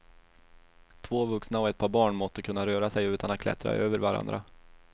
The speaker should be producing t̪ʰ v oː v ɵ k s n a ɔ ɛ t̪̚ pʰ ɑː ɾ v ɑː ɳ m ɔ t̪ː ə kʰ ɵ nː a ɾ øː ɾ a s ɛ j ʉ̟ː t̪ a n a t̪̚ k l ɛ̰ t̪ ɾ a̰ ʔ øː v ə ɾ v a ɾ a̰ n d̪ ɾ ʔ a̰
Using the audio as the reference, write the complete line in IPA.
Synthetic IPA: t̪ʰ v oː v ɵ k s n a ɔ ɛ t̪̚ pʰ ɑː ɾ b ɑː ɳ m ɔ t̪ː ə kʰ ɵ nː a ɾ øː ɾ a s ɛ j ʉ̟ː t̪ a n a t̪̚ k l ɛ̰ t̪ ɾ a̰ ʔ øː v ə ɾ v a ɾ a̰ n d̪ ɾ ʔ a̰

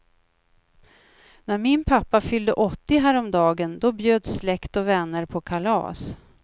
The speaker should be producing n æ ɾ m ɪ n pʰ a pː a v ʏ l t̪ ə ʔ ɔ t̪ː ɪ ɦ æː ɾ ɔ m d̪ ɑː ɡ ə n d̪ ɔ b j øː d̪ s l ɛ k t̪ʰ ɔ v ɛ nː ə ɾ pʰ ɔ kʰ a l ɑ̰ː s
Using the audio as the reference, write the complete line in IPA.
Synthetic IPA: n æ ɾ m ɪ n pʰ a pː a f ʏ l d̪ ə ʔ ɔ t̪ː ɪ ɦ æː ɾ ɔ m d̪ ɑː ɡ ə n d̪ ɔ b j øː d̪ s l ɛ k t̪ ɔ v ɛ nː ə ɾ pʰ ɔ kʰ a l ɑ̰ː s

